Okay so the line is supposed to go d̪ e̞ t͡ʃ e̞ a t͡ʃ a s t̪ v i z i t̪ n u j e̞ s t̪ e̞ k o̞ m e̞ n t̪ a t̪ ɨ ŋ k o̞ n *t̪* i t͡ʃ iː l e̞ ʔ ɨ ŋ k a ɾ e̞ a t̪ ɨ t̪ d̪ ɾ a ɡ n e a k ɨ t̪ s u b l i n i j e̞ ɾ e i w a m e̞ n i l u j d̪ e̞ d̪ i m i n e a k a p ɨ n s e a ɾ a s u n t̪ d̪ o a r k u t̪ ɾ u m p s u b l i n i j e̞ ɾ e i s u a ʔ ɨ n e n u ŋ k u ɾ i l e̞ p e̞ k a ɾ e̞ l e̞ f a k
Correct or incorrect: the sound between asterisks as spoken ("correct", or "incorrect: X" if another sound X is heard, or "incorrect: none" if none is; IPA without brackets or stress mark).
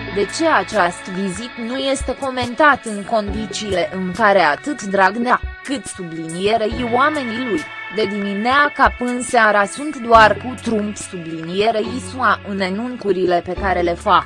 incorrect: d̪